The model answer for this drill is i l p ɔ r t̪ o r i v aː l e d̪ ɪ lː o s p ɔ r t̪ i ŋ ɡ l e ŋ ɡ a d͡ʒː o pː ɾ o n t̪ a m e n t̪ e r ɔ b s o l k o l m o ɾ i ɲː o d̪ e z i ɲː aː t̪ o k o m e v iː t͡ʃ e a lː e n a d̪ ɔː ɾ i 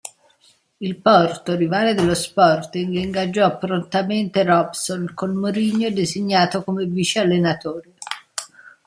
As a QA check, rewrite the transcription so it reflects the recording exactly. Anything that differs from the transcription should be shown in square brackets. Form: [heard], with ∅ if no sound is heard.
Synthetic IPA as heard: i l p ɔ r t̪ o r i v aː l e d̪ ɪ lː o s p ɔ r t̪ i ŋ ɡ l [i] ŋ ɡ a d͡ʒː [ɔ] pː ɾ o n t̪ a m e n t̪ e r ɔ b s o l k o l m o ɾ i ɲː o d̪ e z i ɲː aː t̪ o k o m e v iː t͡ʃ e a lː e n a [t̪] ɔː ɾ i